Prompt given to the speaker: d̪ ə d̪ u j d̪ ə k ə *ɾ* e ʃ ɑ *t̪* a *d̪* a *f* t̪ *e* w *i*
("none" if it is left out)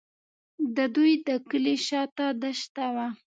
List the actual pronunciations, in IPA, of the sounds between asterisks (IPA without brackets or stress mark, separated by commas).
l, t̪, d̪, ʃ, a, a